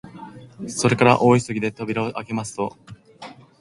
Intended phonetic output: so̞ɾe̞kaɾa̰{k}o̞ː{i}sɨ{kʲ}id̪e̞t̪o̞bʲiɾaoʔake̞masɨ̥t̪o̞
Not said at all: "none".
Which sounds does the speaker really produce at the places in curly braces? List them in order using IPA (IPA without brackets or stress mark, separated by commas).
ʔ, i, ɡʲ